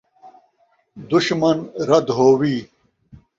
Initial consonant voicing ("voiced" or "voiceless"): voiced